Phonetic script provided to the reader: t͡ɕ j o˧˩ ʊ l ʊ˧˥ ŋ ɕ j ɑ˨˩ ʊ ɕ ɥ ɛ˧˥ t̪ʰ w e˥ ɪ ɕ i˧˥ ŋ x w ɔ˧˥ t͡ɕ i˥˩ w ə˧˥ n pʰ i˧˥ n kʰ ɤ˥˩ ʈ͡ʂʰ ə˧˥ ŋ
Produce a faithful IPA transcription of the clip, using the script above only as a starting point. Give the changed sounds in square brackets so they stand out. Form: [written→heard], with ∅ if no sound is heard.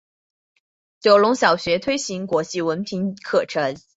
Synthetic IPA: t͡ɕ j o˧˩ ʊ l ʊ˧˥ ŋ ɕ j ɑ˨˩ ʊ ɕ ɥ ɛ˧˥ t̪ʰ w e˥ ɪ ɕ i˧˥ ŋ [x→k] w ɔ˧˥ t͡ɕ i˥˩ w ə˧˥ n pʰ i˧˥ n kʰ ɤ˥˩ ʈ͡ʂʰ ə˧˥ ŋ